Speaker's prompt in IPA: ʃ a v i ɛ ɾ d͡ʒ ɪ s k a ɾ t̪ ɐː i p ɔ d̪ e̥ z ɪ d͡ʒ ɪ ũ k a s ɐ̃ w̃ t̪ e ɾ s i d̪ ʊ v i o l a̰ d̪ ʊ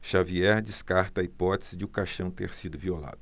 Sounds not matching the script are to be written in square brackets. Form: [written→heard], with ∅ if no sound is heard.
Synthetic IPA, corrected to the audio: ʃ a v i ɛ ɾ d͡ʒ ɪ s k a ɾ t̪ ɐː i p ɔ [d̪→t̪] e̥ z ɪ d͡ʒ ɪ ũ k a [s→ʃ] ɐ̃ w̃ t̪ e ɾ s i d̪ ʊ v i o l a̰ d̪ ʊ